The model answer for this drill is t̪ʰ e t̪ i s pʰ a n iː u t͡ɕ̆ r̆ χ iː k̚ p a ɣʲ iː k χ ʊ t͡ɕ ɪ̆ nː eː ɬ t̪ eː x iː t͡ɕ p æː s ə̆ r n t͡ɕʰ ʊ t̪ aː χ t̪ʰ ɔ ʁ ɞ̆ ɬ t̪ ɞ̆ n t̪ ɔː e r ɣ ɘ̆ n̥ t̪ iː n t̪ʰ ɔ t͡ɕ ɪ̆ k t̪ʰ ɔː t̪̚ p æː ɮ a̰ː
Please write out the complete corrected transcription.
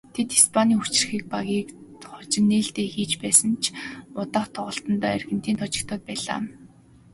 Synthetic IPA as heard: t̪ʰ e t̪ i s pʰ a n iː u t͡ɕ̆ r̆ x iː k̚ p a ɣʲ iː k χ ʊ t͡ɕ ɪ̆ nː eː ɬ t̪ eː x iː t͡ɕ p æː s ə̆ n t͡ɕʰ ʊ t̪ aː χ t̪ʰ ɔ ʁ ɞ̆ ɬ t̪ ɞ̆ n t̪ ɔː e r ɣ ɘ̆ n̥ t̪ iː n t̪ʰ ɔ t͡ɕ ɪ̆ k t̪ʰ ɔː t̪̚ p æː ɮ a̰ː